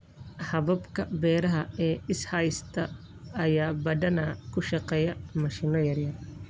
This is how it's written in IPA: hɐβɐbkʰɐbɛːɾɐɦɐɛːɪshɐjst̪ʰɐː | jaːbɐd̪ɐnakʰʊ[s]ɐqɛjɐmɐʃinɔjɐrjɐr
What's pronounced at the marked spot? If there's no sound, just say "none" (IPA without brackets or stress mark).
ʃ